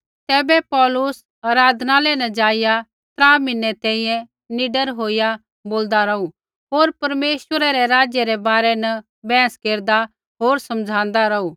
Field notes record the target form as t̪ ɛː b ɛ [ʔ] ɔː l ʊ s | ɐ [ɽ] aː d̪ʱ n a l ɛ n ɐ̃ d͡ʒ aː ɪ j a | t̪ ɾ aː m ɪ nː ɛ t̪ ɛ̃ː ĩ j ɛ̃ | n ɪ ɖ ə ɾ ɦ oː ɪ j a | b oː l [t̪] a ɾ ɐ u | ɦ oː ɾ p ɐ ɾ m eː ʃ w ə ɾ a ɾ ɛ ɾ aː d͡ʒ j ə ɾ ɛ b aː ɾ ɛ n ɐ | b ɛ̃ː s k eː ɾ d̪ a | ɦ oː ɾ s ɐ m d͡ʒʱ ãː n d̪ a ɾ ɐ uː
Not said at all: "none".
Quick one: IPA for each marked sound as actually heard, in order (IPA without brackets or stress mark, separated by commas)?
p, ɾ, d̪